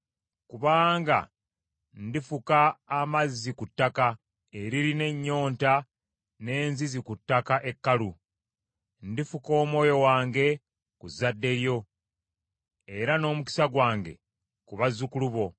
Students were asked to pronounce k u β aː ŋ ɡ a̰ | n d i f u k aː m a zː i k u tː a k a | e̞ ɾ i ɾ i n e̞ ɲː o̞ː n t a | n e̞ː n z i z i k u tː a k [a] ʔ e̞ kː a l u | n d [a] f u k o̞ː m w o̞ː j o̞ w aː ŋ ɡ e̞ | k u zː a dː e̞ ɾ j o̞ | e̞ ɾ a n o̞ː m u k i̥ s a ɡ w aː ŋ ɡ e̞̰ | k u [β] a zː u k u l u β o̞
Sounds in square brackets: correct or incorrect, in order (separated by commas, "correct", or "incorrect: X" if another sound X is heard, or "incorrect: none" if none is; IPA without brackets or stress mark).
correct, incorrect: i, correct